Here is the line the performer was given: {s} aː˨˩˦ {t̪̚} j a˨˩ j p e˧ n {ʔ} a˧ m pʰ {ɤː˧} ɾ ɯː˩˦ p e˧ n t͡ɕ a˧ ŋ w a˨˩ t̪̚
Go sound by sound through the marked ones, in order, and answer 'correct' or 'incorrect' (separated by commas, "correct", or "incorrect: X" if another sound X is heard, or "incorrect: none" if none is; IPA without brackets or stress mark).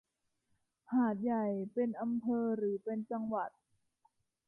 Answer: incorrect: h, correct, correct, correct